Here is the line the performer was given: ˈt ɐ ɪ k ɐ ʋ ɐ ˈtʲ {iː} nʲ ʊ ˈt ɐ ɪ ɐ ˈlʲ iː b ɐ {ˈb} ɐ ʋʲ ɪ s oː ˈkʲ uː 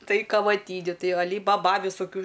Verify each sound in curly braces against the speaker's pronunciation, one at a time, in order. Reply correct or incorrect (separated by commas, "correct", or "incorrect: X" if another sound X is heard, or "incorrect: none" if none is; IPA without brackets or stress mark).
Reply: correct, correct